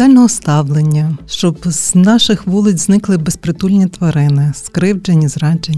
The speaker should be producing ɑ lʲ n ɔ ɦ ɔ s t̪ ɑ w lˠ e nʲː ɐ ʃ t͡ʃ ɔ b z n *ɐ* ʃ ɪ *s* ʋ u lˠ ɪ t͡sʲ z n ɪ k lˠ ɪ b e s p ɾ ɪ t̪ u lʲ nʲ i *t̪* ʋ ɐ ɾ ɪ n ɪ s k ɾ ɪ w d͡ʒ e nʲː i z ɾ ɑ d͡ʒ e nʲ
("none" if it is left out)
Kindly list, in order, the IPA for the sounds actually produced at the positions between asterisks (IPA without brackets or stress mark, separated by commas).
ɑ, x, t̪